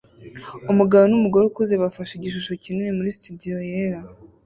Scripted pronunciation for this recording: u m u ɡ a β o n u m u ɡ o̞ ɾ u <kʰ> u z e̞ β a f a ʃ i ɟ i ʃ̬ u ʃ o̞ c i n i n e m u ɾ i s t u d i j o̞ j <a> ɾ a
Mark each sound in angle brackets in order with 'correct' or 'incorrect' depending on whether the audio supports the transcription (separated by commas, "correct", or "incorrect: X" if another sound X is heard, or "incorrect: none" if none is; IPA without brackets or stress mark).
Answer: incorrect: k, incorrect: e